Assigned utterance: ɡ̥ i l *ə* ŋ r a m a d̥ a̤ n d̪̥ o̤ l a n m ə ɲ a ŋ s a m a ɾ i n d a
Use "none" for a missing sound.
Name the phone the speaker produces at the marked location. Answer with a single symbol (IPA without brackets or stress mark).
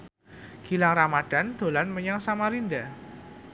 a